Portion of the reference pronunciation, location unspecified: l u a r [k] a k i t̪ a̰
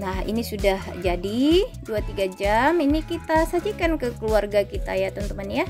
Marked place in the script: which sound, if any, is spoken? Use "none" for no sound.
ɡ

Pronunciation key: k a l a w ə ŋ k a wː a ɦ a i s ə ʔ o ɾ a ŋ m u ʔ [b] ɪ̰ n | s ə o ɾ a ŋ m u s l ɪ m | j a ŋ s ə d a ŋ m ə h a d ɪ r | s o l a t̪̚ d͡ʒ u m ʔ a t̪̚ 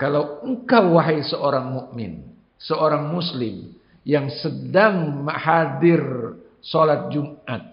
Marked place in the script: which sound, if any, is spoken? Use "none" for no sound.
m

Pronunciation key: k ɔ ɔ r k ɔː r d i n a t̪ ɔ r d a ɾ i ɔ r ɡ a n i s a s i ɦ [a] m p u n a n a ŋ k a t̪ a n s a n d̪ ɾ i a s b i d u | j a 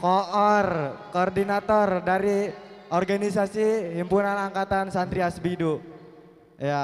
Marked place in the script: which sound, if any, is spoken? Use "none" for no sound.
i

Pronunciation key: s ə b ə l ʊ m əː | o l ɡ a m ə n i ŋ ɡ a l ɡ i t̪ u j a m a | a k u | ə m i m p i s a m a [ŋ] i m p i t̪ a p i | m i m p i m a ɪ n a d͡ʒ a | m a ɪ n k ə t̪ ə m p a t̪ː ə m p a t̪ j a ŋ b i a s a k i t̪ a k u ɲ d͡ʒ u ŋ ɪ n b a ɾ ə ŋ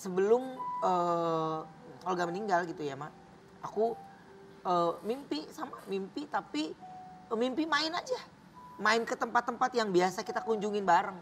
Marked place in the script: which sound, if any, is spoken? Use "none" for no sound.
m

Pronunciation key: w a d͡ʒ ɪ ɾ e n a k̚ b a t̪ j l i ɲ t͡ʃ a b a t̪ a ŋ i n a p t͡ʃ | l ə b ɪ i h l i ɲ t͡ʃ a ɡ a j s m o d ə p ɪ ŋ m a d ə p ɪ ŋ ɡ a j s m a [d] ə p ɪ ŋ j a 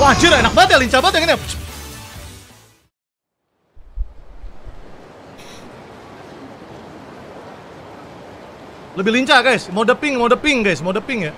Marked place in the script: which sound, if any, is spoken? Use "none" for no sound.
d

